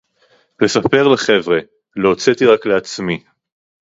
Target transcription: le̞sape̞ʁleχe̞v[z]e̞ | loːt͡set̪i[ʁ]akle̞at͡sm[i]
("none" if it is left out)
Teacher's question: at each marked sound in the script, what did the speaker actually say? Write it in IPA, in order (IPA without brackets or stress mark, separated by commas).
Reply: ʁ, ʁ, i